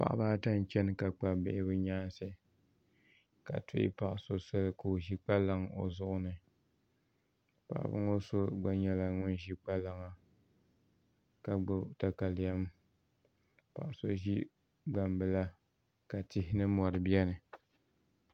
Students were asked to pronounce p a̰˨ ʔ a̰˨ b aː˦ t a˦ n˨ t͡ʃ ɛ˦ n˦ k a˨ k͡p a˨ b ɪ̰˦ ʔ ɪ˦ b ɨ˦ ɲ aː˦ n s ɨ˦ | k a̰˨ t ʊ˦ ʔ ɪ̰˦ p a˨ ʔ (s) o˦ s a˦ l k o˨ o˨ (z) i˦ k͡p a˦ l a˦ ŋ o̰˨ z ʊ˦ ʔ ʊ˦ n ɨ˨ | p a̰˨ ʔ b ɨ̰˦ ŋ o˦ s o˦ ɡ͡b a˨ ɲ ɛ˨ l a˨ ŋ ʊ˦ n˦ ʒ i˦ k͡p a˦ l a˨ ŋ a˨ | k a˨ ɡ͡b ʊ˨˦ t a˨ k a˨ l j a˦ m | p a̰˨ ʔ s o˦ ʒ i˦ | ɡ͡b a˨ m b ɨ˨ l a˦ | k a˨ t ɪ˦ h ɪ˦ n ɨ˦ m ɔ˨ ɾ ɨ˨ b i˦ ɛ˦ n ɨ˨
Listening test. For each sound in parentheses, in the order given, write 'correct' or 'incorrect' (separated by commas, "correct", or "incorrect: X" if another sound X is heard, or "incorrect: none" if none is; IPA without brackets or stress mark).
correct, incorrect: ʒ